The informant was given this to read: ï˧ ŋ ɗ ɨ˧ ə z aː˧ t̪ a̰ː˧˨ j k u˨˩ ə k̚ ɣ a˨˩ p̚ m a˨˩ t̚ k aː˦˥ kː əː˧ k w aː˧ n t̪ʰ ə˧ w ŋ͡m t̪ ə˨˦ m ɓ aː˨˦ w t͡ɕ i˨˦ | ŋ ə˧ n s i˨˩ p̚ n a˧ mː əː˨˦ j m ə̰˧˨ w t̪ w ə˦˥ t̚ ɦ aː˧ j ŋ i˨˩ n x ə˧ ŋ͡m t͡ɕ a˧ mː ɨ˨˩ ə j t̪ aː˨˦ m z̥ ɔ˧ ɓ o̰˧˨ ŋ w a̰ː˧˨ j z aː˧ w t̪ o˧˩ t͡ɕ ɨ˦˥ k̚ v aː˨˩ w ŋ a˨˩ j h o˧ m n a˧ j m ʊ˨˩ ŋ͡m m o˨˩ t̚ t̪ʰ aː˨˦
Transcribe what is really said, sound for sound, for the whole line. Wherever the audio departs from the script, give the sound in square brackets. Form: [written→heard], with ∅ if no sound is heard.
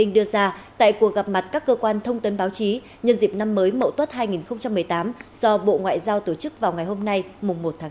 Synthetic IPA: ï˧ ŋ ɗ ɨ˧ ə z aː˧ t̪ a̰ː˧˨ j k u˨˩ ə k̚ ɣ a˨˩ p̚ m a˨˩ t̚ k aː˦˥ kː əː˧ k w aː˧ n t̪ʰ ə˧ w ŋ͡m t̪ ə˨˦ [m→n] ɓ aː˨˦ w t͡ɕ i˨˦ | [ŋ→ɲ] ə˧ n [s→z] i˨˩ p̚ n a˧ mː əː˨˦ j m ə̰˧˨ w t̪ w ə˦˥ t̚ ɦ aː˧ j ŋ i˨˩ n x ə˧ ŋ͡m t͡ɕ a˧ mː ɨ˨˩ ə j t̪ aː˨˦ m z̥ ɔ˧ ɓ o̰˧˨ ŋ w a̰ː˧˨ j z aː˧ w t̪ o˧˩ t͡ɕ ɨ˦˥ k̚ v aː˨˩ w ŋ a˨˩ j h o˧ m n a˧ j m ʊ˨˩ ŋ͡m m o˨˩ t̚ t̪ʰ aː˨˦